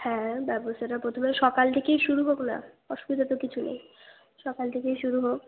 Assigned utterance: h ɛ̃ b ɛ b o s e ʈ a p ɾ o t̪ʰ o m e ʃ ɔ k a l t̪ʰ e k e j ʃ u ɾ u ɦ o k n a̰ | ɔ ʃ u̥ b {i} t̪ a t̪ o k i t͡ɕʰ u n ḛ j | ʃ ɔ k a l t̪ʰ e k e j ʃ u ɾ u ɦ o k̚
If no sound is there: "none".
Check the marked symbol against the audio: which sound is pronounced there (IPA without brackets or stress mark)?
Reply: i